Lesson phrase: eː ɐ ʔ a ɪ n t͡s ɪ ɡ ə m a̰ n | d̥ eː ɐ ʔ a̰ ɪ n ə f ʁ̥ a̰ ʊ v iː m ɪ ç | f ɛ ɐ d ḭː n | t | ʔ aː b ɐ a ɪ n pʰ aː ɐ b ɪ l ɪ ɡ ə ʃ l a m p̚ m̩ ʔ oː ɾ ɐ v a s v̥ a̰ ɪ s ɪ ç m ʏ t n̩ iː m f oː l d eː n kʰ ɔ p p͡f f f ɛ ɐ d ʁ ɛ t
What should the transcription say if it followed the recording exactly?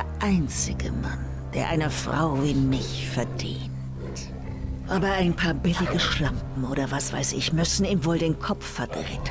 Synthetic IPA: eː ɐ ʔ a ɪ n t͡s ɪ ɡ ə m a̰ n | d̥ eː ɐ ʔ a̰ ɪ n ə f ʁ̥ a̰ ʊ v iː m ɪ ç | f ɛ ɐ d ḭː n | t | ʔ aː b ɐ a ɪ n pʰ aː ɐ b ɪ l ɪ ɡ ə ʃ l a m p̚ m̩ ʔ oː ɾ ɐ v a s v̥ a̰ ɪ s ɪ ç m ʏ s n̩ iː m v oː l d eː n kʰ ɔ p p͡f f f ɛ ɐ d ʁ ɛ t